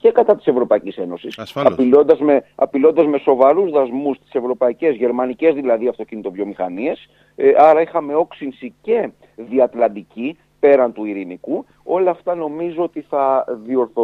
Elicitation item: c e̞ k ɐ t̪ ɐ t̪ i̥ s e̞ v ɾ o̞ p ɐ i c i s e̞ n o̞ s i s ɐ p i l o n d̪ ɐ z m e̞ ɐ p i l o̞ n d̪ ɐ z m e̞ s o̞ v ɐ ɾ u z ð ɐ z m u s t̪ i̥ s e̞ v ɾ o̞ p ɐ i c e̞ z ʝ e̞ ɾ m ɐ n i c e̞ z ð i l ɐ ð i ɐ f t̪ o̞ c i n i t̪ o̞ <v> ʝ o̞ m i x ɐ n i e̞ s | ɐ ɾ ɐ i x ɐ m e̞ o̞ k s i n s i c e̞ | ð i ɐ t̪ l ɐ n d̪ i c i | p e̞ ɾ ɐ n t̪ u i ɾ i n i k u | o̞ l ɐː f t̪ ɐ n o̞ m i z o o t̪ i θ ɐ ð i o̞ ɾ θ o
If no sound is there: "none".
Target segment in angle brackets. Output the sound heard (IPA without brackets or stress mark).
v